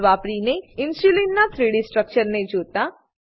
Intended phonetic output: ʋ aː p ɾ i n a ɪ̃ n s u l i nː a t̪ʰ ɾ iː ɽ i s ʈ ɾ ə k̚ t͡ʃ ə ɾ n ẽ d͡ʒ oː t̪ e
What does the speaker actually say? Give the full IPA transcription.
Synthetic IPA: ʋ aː p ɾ i n e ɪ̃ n s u l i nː a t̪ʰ ɾ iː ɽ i s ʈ ɾ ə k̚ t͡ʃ ə ɾ n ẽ d͡ʒ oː t̪ a